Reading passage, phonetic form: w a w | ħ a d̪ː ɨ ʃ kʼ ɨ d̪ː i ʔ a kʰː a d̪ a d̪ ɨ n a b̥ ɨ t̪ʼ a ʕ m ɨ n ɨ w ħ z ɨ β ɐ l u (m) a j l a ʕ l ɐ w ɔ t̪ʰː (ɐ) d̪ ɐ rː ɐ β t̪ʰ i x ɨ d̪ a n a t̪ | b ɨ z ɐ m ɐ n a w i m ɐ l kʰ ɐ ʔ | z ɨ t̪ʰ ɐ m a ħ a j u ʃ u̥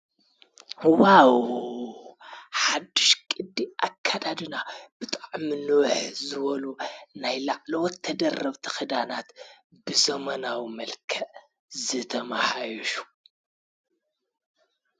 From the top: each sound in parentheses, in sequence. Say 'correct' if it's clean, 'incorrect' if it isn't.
incorrect, correct

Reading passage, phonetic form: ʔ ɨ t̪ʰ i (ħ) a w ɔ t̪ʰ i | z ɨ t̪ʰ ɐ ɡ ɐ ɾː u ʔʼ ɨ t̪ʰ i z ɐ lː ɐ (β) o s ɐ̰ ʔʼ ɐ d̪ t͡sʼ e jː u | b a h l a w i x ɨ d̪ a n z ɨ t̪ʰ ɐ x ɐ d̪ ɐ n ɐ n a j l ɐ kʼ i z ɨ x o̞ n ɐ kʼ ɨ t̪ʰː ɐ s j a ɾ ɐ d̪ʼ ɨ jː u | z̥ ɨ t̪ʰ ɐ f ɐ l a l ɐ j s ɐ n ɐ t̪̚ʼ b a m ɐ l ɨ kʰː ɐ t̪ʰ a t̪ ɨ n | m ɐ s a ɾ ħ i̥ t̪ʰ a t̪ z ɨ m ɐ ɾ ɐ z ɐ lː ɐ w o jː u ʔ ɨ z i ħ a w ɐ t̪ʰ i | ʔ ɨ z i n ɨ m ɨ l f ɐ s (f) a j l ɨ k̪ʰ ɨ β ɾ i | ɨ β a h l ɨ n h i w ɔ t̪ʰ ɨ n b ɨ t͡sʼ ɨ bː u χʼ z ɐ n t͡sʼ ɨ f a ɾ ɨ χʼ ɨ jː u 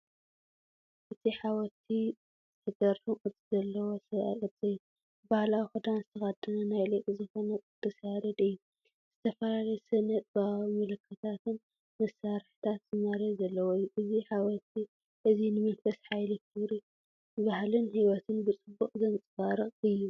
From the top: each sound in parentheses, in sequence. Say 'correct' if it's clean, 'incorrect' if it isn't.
correct, incorrect, incorrect

